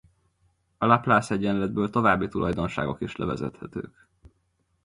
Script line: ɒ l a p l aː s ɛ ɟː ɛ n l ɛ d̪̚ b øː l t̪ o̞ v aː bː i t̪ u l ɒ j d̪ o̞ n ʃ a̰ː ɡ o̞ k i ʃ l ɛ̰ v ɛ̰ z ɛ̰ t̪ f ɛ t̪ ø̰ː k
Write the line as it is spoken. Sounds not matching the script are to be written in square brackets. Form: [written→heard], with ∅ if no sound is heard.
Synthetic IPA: ɒ l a p l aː s ɛ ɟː ɛ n l ɛ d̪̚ b øː l t̪ o̞ v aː bː i t̪ u l ɒ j d̪ o̞ n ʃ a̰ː ɡ o̞ k i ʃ l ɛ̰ v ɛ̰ z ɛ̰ t̪ [f→h] ɛ t̪ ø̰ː k